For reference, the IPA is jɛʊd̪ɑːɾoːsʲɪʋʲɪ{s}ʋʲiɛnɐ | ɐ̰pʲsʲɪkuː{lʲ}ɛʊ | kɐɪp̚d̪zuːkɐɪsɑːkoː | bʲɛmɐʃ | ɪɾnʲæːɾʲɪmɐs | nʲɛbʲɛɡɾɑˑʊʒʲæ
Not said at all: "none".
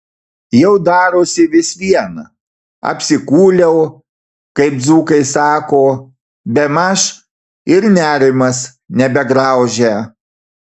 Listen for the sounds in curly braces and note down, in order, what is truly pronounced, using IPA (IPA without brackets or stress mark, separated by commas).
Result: s, lʲ